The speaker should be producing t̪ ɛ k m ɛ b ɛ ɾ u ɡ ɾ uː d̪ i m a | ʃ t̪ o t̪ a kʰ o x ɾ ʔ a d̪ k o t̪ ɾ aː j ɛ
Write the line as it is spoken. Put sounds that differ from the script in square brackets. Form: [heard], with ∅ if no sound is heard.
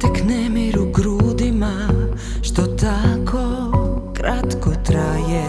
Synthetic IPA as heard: t̪ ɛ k [n] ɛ [m] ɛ ɾ u ɡ ɾ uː d̪ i m a | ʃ t̪ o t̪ a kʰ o [k] ɾ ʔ a [t̪] k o t̪ ɾ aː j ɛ